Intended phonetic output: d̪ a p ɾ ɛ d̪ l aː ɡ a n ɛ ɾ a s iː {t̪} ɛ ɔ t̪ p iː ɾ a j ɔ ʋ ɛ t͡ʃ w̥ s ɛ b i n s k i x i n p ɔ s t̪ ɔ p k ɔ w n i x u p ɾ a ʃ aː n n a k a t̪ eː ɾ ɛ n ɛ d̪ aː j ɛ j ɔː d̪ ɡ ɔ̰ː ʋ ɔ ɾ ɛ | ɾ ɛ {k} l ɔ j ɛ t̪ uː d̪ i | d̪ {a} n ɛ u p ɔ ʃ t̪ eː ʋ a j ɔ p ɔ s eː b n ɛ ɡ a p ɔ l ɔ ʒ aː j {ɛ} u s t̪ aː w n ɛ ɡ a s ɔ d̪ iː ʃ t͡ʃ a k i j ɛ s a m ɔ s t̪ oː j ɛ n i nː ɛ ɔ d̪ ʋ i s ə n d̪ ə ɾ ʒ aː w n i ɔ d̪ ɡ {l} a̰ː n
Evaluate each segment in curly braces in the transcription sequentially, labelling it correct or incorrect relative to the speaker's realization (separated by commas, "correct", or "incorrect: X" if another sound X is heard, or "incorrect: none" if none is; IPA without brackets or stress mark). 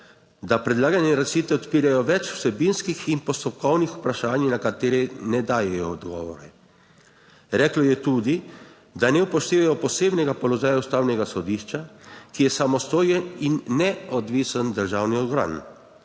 correct, correct, correct, incorrect: a, incorrect: ɾ